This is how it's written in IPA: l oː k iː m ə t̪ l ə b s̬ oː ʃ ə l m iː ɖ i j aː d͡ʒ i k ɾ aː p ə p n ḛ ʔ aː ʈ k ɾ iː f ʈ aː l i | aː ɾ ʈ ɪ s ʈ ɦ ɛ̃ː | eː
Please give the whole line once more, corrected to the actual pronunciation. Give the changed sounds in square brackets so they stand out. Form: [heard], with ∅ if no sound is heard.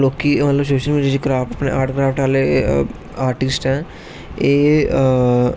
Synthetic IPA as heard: l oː k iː m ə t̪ l ə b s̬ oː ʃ ə l m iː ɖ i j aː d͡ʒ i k ɾ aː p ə p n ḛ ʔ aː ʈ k ɾ [aː] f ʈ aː l [e] | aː ɾ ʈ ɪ s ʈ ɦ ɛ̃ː | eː